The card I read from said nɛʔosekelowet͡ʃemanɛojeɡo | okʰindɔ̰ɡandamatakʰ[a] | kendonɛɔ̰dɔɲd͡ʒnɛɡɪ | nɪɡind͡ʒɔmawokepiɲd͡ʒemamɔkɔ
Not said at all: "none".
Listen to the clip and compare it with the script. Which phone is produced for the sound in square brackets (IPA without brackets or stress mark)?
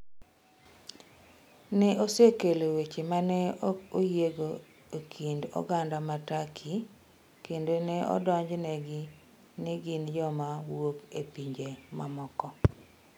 i